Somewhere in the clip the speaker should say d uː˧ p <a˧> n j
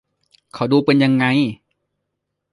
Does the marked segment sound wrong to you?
yes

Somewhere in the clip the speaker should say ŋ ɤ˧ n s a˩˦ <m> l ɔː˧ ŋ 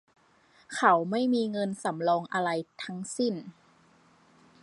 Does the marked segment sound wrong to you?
no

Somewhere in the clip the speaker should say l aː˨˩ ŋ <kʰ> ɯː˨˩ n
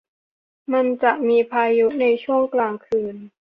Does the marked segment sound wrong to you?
no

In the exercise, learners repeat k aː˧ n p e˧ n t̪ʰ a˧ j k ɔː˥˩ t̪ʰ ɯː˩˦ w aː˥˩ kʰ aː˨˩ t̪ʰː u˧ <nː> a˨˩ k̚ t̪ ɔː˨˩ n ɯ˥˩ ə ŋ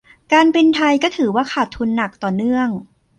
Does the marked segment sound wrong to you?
no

